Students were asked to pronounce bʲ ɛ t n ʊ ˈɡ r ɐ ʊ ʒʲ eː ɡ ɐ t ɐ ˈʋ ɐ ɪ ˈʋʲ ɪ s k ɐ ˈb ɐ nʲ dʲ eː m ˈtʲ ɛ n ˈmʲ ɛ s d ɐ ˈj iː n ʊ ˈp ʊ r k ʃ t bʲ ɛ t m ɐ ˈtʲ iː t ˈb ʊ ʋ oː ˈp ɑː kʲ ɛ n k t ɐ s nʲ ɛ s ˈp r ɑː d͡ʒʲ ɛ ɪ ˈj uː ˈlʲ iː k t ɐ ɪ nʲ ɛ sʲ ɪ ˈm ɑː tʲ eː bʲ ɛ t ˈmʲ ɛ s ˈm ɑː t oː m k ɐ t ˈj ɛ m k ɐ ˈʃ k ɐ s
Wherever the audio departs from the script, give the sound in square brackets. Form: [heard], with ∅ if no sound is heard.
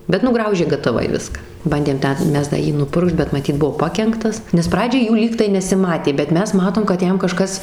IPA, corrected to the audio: bʲ ɛ t n ʊ ˈɡ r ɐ ʊ ʒʲ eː ɡ ɐ t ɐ ˈʋ ɐ ɪ ˈʋʲ ɪ s k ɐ ˈb ɐ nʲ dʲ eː m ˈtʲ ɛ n ˈmʲ ɛ s d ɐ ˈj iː n ʊ ˈp ʊ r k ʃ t bʲ ɛ t m ɐ ˈtʲ iː t ˈb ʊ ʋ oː ˈp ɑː kʲ ɛ [ŋ] k t ɐ s nʲ ɛ s ˈp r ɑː d͡ʒʲ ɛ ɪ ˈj uː ˈlʲ iː k t ɐ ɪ nʲ ɛ sʲ ɪ ˈm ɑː tʲ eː bʲ ɛ t ˈmʲ ɛ s ˈm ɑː t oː m k ɐ t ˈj ɛ m k ɐ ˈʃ k ɐ s

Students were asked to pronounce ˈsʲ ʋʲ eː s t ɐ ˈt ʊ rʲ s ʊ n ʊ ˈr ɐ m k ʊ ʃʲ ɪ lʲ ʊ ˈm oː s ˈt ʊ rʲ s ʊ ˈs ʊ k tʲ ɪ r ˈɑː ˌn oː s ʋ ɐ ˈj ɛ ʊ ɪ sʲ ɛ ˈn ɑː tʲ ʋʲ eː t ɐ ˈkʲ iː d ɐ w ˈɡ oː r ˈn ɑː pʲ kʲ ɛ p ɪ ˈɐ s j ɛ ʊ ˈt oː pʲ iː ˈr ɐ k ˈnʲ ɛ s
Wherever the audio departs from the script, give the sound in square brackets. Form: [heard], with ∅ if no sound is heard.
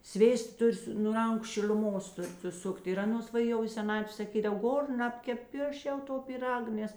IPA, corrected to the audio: ˈsʲ ʋʲ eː s t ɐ ˈt ʊ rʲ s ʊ n ʊ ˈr ɐ [ŋ] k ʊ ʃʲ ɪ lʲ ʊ ˈm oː s ˈt ʊ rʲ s ʊ ˈs ʊ k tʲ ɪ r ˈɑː ˌn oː s ʋ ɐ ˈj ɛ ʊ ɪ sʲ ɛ ˈn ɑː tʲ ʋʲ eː [s] ɐ ˈkʲ iː d ɐ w ˈɡ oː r ˈn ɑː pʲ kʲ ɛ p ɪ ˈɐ [ʃ] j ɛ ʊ ˈt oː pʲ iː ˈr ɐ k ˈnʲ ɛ s

